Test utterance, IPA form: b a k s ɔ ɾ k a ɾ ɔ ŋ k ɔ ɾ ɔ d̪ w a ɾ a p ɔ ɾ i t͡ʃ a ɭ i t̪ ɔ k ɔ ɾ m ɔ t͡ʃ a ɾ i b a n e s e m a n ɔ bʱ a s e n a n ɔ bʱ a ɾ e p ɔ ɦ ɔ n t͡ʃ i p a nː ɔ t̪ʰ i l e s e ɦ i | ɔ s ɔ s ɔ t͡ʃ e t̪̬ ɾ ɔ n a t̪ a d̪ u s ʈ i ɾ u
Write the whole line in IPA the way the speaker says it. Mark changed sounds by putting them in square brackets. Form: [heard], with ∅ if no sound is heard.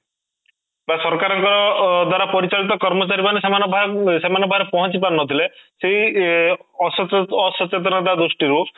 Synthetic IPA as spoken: b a [∅] s ɔ ɾ k a ɾ ɔ ŋ k ɔ ɾ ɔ d̪ w a ɾ a p ɔ ɾ i t͡ʃ a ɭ i t̪ ɔ k ɔ ɾ m ɔ t͡ʃ a ɾ i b a n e s e m a n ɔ bʱ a s e [m] a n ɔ bʱ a ɾ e p ɔ ɦ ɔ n t͡ʃ i p a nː ɔ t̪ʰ i l e s e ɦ i | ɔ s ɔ s ɔ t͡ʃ e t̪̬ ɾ ɔ n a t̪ a d̪ u s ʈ i ɾ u